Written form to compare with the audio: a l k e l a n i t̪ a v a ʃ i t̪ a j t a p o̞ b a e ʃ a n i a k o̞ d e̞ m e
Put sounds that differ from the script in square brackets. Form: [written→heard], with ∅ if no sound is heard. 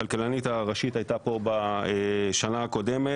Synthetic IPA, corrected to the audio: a l k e l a n i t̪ a [v→ʁ] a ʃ i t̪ a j t a p o̞ b a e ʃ a n [i→a] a k o̞ d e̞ m e